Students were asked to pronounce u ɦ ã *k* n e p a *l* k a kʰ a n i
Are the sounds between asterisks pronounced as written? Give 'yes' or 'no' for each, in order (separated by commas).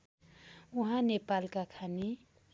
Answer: no, yes